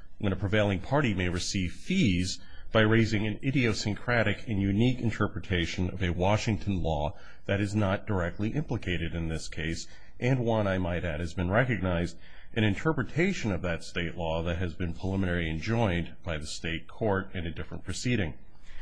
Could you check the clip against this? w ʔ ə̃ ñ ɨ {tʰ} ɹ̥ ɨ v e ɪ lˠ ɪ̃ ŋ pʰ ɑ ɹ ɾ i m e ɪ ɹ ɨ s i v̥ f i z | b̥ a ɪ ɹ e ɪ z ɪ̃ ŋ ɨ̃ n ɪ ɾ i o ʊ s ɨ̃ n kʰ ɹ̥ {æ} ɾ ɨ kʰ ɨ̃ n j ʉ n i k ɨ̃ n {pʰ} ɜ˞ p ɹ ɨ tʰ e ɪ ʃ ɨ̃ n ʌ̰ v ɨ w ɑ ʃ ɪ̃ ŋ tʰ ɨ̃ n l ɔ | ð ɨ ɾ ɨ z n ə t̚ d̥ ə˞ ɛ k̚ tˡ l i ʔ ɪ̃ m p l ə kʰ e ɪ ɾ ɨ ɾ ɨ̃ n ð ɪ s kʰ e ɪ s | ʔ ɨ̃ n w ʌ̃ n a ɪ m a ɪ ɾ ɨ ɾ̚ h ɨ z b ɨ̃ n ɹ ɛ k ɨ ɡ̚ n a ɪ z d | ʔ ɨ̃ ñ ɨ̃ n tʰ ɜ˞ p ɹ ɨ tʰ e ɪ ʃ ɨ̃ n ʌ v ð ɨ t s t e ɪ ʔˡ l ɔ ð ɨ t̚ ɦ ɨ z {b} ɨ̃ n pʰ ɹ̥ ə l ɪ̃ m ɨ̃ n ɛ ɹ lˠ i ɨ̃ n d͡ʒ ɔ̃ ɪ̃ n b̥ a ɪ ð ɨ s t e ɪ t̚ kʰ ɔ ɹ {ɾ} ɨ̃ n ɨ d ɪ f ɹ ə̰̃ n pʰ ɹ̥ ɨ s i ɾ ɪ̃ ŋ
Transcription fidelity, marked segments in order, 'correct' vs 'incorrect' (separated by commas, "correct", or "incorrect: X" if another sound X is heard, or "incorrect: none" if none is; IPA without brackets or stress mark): incorrect: pʰ, correct, incorrect: tʰ, correct, correct